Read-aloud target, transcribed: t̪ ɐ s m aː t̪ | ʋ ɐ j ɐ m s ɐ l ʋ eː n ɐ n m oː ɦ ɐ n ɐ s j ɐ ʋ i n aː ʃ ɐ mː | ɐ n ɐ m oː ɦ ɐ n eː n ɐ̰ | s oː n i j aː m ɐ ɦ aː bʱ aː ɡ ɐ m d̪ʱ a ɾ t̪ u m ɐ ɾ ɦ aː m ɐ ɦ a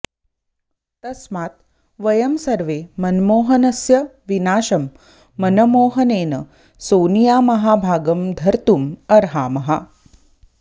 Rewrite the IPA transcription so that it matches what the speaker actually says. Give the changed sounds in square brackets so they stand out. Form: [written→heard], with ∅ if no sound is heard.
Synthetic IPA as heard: t̪ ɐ s m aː t̪ | ʋ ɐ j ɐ m s ɐ [l→ɾ] ʋ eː [n→m] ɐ n m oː ɦ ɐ n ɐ s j ɐ ʋ i n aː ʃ ɐ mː | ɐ n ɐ m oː ɦ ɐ n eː n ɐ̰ | s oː n i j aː m ɐ ɦ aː bʱ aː ɡ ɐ m d̪ʱ [a→ɐ] ɾ t̪ u m ɐ ɾ ɦ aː m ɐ ɦ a